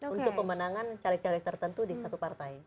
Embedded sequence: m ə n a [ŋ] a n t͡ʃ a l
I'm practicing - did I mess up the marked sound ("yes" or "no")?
no